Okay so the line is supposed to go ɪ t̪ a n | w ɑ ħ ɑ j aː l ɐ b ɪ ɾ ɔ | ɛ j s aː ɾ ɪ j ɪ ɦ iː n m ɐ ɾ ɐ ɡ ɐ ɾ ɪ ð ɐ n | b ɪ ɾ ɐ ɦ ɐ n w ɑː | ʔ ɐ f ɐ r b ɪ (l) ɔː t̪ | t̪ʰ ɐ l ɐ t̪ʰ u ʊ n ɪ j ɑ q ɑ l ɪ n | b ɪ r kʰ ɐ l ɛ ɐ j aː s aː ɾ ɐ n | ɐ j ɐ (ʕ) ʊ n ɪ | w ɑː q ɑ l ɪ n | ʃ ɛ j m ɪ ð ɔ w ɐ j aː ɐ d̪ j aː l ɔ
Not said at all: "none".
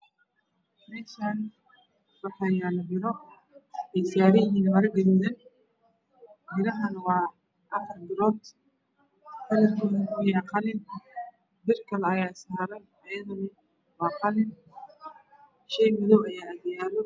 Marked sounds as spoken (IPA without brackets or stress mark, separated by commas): ɾ, ð